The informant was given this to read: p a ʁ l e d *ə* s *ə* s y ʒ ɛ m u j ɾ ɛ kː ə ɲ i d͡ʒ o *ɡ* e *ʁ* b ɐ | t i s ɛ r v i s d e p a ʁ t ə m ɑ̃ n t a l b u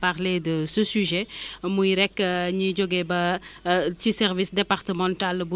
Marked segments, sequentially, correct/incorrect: correct, correct, correct, incorrect

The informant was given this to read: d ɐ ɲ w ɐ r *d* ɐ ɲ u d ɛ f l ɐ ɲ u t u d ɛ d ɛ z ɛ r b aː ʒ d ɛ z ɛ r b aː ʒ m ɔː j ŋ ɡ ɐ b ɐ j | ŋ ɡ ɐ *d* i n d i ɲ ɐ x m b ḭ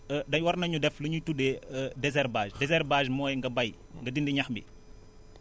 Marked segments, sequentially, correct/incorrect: incorrect, correct

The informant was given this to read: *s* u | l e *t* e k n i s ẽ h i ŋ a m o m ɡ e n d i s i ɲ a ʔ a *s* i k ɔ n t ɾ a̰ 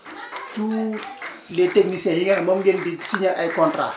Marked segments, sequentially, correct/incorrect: incorrect, correct, incorrect

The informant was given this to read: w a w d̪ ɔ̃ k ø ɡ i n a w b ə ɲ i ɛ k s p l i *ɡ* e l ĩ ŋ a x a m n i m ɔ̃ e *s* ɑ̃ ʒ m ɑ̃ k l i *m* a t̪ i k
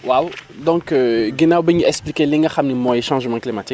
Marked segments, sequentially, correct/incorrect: incorrect, incorrect, correct

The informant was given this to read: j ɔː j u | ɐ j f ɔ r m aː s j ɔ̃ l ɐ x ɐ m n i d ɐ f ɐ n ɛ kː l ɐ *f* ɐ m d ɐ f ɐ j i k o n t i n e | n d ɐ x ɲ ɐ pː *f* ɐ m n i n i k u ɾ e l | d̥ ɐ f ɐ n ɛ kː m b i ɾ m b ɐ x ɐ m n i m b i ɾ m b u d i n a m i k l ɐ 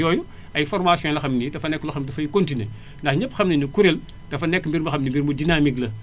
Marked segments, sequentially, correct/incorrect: incorrect, incorrect

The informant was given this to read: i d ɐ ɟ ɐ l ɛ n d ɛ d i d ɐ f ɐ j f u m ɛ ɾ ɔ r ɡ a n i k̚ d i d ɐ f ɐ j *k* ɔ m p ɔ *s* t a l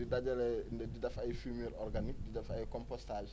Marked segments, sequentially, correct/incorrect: correct, correct

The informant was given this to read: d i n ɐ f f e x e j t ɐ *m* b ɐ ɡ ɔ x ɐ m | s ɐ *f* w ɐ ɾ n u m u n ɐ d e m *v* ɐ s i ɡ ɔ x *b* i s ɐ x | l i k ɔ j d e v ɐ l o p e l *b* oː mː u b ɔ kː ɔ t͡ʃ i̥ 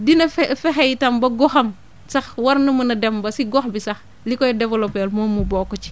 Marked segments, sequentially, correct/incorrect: correct, incorrect, incorrect, correct, incorrect

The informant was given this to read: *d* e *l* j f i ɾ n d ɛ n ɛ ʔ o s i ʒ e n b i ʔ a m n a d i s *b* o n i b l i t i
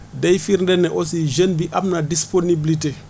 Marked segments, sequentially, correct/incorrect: correct, incorrect, incorrect

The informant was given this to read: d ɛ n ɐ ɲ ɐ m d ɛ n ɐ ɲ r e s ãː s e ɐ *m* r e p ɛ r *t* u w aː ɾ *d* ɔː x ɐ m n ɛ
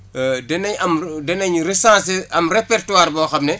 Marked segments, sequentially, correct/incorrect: correct, correct, incorrect

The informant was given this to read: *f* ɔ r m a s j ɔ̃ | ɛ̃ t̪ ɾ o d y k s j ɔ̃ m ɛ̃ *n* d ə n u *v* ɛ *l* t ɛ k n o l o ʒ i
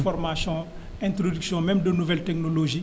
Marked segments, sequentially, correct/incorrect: correct, incorrect, correct, correct

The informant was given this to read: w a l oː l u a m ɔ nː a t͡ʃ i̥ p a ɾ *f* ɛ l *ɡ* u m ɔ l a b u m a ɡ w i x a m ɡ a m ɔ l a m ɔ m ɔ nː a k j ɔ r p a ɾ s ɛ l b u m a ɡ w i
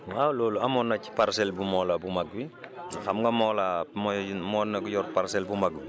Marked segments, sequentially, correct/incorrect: incorrect, incorrect

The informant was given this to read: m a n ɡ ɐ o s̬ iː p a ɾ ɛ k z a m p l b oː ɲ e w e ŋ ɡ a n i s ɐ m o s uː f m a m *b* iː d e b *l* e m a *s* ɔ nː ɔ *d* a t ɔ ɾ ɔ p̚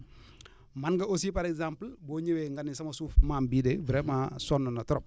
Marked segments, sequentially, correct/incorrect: correct, incorrect, correct, incorrect

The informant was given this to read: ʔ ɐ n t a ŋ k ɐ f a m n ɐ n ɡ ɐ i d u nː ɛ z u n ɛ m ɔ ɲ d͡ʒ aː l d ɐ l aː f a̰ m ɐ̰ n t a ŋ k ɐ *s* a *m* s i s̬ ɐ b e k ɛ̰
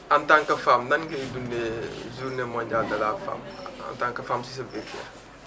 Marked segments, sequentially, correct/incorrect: incorrect, correct

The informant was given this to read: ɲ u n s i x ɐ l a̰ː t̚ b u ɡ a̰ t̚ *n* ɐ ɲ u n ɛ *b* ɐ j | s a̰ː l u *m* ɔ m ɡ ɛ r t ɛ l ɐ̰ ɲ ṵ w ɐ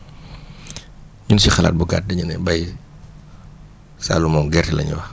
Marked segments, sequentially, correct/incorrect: incorrect, correct, correct

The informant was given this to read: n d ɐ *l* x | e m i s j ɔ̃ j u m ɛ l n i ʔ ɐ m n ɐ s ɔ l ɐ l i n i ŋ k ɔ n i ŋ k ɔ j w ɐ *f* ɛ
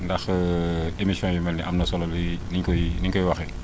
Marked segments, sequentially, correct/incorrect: incorrect, incorrect

